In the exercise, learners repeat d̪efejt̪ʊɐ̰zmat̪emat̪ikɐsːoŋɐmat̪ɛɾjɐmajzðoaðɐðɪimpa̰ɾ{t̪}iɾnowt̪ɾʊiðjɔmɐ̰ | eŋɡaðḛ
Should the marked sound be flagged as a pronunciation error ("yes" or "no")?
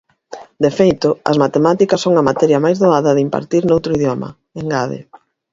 no